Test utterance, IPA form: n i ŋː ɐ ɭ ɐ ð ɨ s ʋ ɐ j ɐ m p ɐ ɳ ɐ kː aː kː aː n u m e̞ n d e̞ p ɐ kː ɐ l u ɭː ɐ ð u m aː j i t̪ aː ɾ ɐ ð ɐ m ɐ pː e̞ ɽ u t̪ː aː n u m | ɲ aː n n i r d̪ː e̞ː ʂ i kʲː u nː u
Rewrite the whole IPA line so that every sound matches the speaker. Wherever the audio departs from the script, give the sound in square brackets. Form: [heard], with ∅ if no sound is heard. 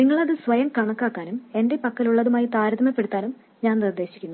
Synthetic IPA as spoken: n i ŋː ɐ ɭ ɐ ð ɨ s ʋ ɐ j ɐ m [k] ɐ ɳ ɐ kː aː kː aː n u m e̞ n d e̞ p ɐ kː ɐ l u ɭː ɐ ð u m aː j i t̪ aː ɾ ɐ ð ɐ m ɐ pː e̞ ɽ u t̪ː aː n u m | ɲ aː n n i r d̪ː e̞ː [ɕ] i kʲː u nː u